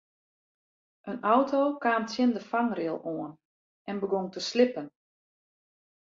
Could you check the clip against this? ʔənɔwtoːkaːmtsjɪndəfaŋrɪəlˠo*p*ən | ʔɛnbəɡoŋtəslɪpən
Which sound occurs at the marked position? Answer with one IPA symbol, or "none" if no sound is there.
none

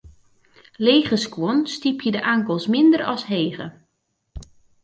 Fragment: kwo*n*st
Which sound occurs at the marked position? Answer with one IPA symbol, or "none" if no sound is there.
n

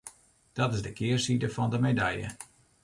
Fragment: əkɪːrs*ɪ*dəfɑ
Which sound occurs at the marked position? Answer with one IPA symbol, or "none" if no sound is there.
i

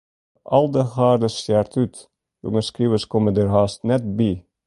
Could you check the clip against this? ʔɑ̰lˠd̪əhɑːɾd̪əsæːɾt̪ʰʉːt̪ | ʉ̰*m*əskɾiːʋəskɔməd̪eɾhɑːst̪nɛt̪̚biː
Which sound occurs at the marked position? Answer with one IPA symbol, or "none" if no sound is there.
ŋ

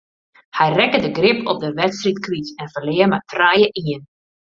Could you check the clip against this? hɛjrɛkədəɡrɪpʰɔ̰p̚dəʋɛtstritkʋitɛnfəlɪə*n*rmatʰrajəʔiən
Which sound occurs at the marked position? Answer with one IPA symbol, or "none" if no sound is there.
none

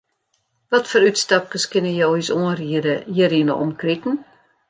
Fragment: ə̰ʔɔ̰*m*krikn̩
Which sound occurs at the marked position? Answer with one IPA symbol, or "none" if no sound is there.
m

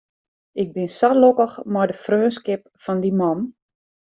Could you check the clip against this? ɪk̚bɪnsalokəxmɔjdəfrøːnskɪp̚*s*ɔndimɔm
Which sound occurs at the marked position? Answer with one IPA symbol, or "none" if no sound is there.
f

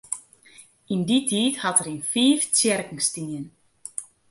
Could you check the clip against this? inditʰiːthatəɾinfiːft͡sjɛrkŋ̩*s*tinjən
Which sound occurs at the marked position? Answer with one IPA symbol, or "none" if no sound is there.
s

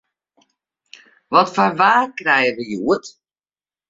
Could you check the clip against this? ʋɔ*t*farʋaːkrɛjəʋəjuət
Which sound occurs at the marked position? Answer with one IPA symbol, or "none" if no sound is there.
t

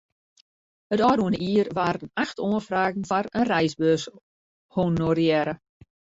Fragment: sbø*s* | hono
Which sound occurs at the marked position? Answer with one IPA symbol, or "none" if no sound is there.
s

